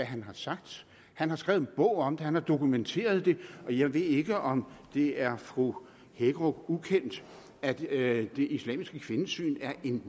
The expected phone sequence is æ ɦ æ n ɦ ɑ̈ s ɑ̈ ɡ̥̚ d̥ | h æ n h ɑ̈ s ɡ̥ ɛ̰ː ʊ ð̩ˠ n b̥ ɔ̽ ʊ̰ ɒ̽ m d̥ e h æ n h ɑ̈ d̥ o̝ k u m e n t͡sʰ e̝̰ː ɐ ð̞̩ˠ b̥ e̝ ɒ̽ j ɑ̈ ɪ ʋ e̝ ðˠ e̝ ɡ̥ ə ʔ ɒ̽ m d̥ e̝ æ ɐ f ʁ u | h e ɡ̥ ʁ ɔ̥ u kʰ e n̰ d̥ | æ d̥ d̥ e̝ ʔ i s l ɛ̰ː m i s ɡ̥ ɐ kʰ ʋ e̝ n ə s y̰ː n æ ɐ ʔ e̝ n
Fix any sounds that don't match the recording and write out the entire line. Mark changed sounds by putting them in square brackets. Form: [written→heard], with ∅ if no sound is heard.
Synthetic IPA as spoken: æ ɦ æ n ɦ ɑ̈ s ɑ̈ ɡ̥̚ d̥ | h æ n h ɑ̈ s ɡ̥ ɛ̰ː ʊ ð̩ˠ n b̥ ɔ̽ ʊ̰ ɒ̽ m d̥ e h æ n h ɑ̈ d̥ o̝ k u m e n t͡sʰ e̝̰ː ɐ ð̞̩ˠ [b̥→d̥] e̝ ɒ̽ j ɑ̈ ɪ ʋ e̝ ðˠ e̝ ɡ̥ ə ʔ ɒ̽ m d̥ e̝ æ ɐ f ʁ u | h e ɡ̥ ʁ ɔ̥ u kʰ e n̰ d̥ | æ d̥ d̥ e̝ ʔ i s l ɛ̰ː m i s ɡ̥ [ɐ→ə] kʰ ʋ e̝ n ə s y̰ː n æ ɐ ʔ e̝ n